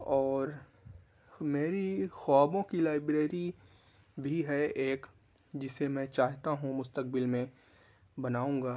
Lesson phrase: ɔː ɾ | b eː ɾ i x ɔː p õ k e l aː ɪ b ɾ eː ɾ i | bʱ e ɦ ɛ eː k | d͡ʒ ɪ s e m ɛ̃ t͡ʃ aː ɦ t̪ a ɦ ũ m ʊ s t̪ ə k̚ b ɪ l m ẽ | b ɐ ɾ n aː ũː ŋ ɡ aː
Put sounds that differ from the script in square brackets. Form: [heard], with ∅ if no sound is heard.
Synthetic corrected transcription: ɔː ɾ | [m] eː ɾ i x ɔː [b] õ k [i] l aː ɪ b ɾ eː ɾ i | bʱ [i] ɦ ɛ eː k | d͡ʒ ɪ s e m ɛ̃ t͡ʃ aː ɦ t̪ a ɦ ũ m ʊ s t̪ ə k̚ b ɪ l m ẽ | b ɐ [∅] n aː ũː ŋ ɡ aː